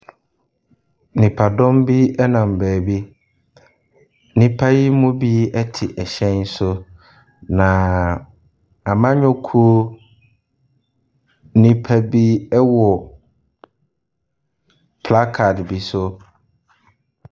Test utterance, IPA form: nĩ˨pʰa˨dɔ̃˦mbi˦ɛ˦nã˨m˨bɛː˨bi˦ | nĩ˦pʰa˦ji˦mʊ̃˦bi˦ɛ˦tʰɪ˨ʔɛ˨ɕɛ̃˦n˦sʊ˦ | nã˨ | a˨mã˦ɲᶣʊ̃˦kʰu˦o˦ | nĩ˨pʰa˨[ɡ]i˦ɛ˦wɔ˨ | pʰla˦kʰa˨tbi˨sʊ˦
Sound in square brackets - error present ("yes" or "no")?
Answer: yes